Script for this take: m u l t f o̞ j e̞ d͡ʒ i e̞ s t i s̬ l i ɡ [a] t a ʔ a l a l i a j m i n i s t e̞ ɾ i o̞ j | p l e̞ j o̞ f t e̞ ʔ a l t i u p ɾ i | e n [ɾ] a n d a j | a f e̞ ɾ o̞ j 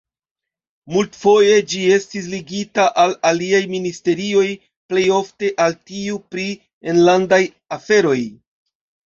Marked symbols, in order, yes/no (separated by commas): no, no